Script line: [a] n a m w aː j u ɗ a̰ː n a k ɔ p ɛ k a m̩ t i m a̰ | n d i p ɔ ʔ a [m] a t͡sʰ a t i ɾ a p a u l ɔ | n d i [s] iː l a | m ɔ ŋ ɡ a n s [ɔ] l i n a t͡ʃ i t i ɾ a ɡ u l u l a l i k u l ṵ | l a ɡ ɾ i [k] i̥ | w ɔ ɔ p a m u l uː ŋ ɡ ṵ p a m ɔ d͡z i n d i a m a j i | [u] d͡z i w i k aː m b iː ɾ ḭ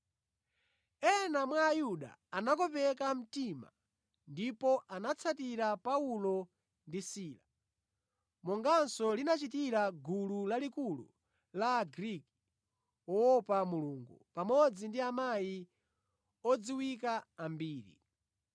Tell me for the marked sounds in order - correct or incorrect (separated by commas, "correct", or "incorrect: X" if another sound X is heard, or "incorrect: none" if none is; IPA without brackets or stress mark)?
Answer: incorrect: ɛ, incorrect: n, correct, correct, correct, incorrect: ɔ